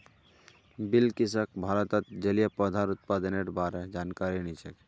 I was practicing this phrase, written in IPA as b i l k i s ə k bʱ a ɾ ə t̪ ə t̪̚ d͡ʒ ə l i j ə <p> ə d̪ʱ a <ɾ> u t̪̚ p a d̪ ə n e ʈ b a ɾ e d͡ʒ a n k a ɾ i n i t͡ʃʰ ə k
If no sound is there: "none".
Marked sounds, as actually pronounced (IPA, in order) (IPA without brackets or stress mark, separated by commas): p, ɾ